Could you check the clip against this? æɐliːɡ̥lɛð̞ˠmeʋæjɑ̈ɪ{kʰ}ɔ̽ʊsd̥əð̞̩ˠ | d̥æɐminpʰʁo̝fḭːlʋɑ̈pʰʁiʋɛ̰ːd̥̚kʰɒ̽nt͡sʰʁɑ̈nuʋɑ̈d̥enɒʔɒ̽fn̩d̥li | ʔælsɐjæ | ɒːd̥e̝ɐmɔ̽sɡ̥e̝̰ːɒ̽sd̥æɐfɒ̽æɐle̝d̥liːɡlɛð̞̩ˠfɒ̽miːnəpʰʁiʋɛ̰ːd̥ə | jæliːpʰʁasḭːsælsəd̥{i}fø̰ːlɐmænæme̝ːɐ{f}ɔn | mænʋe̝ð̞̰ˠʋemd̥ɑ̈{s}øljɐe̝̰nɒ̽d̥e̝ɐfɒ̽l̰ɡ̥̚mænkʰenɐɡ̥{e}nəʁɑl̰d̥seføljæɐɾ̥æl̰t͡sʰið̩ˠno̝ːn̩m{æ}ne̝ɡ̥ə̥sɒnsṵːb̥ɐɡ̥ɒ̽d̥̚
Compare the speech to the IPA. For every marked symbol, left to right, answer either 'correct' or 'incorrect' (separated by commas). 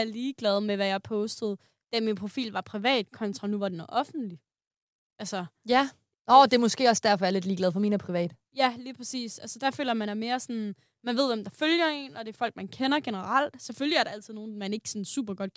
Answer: incorrect, incorrect, incorrect, incorrect, correct, correct